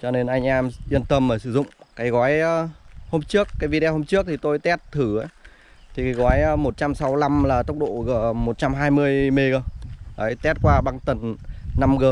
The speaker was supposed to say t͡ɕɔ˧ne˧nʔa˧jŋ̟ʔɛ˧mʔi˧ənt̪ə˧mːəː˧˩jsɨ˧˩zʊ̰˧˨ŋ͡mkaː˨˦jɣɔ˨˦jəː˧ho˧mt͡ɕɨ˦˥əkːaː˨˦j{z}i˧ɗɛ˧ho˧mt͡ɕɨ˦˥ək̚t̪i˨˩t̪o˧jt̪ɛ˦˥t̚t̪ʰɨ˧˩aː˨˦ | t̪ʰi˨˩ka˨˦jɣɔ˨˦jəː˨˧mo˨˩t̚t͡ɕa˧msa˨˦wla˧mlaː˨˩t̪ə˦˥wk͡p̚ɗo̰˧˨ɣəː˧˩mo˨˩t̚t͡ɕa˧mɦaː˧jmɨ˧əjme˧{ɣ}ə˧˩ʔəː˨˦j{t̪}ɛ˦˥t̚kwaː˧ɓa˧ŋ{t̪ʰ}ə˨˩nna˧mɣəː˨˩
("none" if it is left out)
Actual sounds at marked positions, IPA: v, ɣ, t̪, t̪

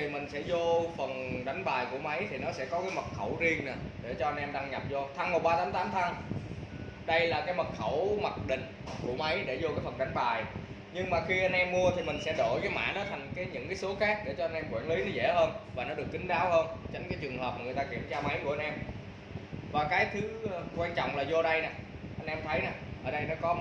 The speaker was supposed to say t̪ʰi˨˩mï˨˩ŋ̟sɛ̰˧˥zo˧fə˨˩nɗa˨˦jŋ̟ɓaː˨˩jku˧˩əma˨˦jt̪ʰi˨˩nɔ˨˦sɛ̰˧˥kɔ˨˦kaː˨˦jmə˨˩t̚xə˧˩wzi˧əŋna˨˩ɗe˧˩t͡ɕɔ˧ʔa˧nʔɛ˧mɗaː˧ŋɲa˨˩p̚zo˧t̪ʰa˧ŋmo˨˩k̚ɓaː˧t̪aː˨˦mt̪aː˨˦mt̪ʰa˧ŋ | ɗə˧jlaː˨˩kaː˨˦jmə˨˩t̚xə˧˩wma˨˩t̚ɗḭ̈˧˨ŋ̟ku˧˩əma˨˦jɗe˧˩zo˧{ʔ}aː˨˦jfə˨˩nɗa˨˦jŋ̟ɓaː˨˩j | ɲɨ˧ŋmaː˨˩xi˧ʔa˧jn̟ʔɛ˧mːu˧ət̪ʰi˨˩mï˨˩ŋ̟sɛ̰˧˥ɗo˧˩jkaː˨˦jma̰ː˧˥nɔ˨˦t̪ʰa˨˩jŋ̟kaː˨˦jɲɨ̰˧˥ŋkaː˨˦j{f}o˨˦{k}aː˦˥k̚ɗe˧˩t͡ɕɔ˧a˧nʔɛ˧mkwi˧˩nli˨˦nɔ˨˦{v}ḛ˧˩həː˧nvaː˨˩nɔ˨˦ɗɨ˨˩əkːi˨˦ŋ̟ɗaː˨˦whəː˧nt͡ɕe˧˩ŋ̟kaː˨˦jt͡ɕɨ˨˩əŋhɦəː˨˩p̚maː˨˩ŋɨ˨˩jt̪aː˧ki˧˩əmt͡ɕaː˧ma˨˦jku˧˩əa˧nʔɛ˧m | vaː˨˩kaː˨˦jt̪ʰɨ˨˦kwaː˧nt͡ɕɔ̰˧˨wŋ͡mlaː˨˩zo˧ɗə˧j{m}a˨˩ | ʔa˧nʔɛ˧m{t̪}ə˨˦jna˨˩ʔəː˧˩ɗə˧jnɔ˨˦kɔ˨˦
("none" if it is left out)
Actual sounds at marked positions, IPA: k, s, x, z, n, t̪ʰ

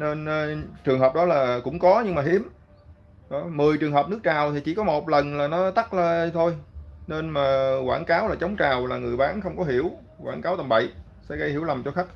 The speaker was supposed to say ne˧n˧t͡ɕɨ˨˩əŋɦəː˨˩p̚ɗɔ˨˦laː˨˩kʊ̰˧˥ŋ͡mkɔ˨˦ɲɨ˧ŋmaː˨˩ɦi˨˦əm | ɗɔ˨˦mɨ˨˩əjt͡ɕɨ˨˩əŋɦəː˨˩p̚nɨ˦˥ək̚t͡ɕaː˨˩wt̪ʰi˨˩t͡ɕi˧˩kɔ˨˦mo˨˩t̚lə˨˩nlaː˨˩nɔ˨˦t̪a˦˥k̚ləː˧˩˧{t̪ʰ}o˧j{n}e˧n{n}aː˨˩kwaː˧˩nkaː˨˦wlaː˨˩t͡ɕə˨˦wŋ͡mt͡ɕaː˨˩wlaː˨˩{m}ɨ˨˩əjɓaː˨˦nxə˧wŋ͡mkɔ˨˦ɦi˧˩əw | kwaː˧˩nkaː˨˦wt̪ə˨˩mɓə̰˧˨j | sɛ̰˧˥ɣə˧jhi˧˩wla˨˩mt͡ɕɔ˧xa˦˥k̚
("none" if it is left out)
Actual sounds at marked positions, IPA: t̪ʰ, n, m, ŋ

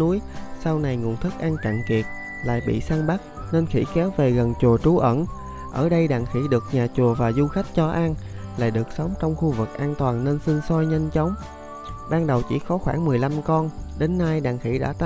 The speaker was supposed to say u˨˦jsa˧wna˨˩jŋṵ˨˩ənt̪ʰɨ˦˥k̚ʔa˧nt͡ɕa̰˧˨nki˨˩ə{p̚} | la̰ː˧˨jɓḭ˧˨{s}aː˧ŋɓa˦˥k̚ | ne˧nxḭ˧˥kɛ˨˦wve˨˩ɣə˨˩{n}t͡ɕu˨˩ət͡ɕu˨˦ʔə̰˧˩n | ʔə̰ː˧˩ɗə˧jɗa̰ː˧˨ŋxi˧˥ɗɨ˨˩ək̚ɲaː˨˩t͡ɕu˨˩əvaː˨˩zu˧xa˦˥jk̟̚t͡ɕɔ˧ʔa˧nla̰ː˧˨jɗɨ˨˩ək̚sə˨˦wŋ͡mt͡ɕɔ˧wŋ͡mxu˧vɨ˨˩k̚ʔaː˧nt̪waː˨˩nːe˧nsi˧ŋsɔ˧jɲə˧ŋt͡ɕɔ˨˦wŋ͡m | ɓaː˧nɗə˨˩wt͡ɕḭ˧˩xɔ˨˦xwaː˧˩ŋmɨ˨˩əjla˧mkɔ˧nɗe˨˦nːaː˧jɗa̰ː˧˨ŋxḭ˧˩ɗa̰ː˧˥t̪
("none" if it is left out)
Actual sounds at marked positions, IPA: t̚, s, n

